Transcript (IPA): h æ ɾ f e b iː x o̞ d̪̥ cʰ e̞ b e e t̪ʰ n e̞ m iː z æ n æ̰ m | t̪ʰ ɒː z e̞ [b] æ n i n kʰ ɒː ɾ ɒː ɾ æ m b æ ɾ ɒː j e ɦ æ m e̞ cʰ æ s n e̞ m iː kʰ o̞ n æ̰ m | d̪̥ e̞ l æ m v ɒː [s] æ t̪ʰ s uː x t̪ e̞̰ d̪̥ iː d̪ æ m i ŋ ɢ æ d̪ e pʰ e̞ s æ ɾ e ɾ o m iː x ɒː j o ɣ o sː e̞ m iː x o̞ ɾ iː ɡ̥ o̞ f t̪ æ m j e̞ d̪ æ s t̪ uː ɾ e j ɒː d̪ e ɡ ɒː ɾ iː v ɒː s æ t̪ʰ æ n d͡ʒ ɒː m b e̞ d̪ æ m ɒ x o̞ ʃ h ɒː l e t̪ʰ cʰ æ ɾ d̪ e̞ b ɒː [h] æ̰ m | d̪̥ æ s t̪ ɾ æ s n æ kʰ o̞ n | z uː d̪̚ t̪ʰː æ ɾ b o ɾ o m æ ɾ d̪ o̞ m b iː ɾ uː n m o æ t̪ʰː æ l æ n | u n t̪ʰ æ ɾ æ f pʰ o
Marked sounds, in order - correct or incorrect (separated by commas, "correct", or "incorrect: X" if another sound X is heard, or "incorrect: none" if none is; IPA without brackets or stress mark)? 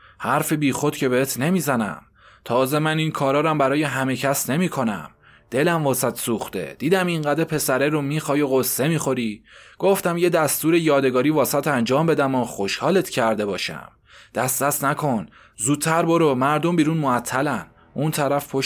incorrect: m, correct, incorrect: ʃ